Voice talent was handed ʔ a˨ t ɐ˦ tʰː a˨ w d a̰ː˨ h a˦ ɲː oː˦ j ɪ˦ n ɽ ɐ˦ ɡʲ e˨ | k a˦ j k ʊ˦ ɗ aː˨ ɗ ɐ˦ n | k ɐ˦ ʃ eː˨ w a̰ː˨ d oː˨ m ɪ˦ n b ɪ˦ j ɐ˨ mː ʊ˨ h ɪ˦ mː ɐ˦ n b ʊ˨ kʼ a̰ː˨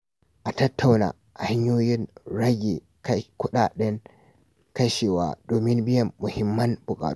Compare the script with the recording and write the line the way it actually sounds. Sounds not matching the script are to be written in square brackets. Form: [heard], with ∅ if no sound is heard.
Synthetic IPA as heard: ʔ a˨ t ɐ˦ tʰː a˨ w [n] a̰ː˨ h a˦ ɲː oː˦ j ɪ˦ n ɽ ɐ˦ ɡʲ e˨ | k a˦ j k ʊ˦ ɗ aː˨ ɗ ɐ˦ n | k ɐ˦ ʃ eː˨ w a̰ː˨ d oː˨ m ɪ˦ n b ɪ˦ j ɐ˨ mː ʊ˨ h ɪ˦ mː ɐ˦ n b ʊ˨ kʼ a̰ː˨